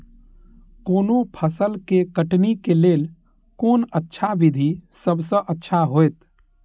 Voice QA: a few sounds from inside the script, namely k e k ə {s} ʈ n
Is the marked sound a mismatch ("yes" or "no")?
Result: yes